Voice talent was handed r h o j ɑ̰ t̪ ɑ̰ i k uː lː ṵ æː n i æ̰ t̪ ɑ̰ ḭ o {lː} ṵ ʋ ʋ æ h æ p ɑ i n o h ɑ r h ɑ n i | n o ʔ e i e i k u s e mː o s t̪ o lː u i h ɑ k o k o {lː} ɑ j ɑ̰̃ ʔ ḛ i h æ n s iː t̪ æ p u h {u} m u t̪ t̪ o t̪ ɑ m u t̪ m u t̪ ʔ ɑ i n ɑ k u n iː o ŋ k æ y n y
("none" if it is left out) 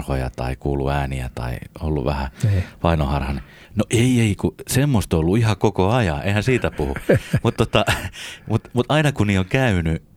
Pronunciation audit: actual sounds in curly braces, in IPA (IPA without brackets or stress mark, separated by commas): lː, none, u